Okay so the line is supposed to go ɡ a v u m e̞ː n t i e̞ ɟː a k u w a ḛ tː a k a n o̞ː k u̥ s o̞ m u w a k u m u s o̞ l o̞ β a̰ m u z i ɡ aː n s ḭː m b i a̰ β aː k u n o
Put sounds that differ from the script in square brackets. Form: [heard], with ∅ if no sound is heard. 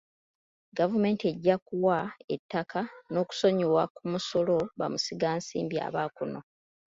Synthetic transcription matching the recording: ɡ a v u m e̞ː n t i e̞ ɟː a k u w a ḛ tː a k a n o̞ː k u̥ s o̞ [ɲ] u w a k u m u s o̞ l o̞ β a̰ m u [s] i ɡ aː n s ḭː m b i a̰ β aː k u n o

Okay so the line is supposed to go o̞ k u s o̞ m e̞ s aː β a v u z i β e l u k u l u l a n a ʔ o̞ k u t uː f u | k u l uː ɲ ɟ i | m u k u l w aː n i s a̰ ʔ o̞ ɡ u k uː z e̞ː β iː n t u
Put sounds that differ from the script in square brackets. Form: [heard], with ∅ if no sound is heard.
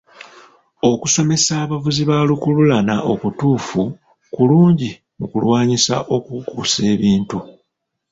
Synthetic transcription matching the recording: o̞ k u s o̞ m e̞ s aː β a v u z i β [a] l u k u l u l a n a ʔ o̞ k u t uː f u | k u l uː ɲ ɟ i | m u k u l w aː [ɲ] i s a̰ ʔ o̞ [k] u k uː [s] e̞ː β iː n t u

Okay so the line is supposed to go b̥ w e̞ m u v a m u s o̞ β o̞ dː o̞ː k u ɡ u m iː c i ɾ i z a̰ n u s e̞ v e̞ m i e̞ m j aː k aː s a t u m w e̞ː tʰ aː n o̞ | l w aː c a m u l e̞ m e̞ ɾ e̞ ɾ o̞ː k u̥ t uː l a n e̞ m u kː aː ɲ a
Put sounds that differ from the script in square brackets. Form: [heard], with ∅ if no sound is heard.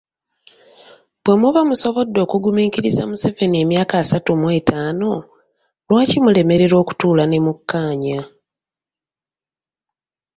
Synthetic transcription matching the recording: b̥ w e̞ m u [β] a m u s o̞ β o̞ dː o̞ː k u ɡ u m iː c i ɾ i z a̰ [m] u s e̞ v e̞ [n] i e̞ m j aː k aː s a t u m w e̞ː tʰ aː n o̞ | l w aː c [i] m u l e̞ m e̞ ɾ e̞ ɾ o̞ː k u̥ t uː l a n e̞ m u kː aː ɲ a

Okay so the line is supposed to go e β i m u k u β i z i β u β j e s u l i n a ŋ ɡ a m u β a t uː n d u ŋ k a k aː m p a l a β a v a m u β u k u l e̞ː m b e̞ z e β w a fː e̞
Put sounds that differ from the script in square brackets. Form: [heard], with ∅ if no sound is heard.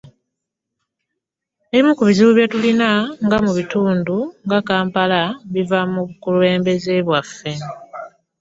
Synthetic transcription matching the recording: e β i m u k u β i z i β u β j e [t] u l i n a ŋ ɡ a m u β [i] t uː n d u ŋ [ɡ] a k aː m p a l a β [i] v a m u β u k u l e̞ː m b e̞ z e β w a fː e̞

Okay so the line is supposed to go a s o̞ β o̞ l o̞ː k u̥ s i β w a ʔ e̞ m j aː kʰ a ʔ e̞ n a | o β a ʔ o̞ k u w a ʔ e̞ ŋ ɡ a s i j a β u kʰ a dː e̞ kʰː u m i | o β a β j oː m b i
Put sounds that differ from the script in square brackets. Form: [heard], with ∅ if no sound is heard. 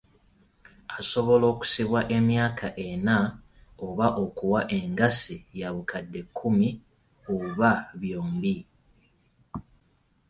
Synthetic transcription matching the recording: a s o̞ β o̞ l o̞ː k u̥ s i β w a ʔ e̞ m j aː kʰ a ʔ e̞ n a | o β a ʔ o̞ k u w a ʔ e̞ ŋ ɡ a s i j a β u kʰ a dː e̞ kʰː u m i | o β a β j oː m b i

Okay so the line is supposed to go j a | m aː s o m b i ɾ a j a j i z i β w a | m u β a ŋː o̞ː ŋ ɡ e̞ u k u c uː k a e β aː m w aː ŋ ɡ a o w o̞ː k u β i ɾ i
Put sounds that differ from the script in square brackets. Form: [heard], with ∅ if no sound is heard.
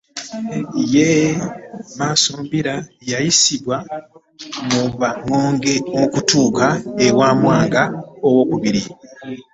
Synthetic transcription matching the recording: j [e] | m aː s o m b i ɾ a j a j i [s] i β w a | m u β a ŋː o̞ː ŋ ɡ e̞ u k u [t] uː k a e [w] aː m w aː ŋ ɡ a o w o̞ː k u β i ɾ i

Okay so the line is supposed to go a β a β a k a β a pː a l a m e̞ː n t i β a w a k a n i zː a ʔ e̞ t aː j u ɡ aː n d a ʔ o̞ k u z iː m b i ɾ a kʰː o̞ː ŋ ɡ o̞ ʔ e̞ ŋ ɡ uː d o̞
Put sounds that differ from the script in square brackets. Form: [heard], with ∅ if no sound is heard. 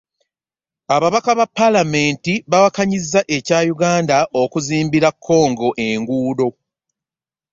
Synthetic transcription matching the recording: a β a β a k a β a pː a l a m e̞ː n t i β a w a k a [ɲ] i zː a ʔ e̞ [c] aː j u ɡ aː n d a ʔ o̞ k u z iː m b i ɾ a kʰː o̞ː ŋ ɡ o̞ ʔ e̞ ŋ ɡ uː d o̞

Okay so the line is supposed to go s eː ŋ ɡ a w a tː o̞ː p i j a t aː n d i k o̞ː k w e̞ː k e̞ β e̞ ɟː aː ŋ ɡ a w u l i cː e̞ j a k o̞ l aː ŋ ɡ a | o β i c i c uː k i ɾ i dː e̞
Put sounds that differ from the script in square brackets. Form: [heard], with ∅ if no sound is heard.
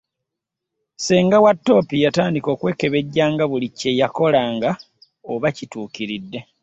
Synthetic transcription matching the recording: s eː ŋ ɡ a w a tː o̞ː p i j a t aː n d i k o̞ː k w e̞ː k e̞ β e̞ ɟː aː ŋ ɡ a [β] u l i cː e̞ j a k o̞ l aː ŋ ɡ a | o β [a] c i [t] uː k i ɾ i dː e̞

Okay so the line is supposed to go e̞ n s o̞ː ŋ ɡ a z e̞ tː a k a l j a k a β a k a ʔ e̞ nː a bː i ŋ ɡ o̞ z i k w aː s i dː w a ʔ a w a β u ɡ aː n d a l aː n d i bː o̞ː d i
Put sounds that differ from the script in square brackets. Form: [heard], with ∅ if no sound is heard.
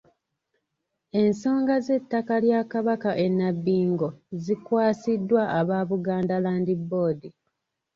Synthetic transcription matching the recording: e̞ n s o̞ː ŋ ɡ a z e̞ tː a k a l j a k a β a k a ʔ e̞ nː a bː [iː] ŋ ɡ o̞ z i k w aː s i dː w a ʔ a [β] a β u ɡ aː n d a l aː n d i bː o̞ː d i

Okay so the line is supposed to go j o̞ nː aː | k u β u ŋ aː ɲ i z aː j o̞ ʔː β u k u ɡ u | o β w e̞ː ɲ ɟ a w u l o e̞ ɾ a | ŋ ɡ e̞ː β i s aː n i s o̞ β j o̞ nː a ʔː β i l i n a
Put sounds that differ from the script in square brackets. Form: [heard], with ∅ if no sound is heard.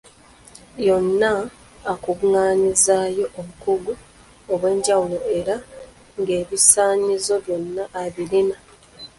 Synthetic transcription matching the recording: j o̞ nː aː | k u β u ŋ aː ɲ i z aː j o̞ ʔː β u k u ɡ u | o β w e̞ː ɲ ɟ a w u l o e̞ ɾ a | ŋ ɡ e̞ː β i s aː [ɲ] i [z] o̞ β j o̞ nː a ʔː β i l i n a

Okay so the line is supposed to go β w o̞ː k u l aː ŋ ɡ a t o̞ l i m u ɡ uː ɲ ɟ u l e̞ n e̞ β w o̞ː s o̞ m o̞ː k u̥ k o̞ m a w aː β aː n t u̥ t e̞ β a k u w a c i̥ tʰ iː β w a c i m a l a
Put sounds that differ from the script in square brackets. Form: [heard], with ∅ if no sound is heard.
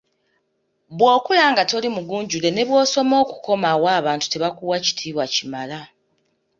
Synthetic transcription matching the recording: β w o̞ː k u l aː ŋ ɡ a t o̞ l i m u ɡ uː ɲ ɟ u l e̞ n e̞ β w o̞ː s o̞ m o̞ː k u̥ k o̞ m a w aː β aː n t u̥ t e̞ β a k u w a c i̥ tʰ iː β w a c i m a l a

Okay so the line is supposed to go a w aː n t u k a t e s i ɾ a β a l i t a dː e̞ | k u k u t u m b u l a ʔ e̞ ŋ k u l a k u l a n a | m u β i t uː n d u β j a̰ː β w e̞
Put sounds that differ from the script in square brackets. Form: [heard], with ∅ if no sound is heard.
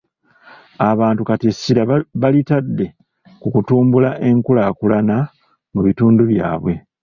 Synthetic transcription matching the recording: a [β] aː n t u k a t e s i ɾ a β a l i t a dː e̞ | k u k u t [uː] m b u l a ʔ e̞ ŋ k u l a k u l a n a | m u β i t uː n d u β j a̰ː β w e̞

